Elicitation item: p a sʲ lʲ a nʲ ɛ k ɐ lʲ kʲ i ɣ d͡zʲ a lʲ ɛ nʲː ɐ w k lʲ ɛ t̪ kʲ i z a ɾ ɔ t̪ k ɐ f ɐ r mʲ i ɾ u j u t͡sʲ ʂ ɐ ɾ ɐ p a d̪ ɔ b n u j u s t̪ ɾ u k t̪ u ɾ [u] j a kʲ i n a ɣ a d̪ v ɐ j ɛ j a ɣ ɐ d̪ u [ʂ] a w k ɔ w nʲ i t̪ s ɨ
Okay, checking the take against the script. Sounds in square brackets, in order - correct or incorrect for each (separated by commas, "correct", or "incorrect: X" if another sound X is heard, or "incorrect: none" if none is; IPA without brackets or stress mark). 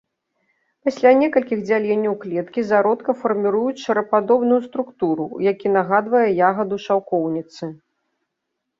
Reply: correct, correct